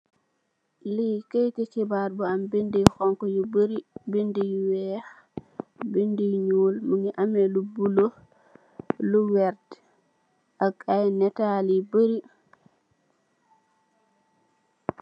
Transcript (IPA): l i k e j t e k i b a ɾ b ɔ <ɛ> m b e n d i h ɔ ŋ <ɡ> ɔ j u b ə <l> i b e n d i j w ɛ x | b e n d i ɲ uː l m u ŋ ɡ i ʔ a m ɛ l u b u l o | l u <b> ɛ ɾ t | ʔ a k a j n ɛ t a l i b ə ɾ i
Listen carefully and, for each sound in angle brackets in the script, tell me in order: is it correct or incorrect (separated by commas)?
incorrect, incorrect, incorrect, incorrect